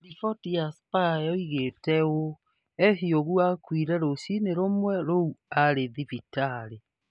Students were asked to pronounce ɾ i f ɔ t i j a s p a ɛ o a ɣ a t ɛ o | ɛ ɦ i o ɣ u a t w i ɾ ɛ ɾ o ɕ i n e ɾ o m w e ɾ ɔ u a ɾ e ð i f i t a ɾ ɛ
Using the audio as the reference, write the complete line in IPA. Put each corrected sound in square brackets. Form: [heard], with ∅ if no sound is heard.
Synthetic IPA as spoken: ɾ i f ɔ t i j a s p a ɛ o [i] ɣ [e] t ɛ o | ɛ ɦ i o ɣ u a [k] w i ɾ ɛ ɾ o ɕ i n e ɾ o m w [ɛ] ɾ [o] u a ɾ e ð i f i t a ɾ [e]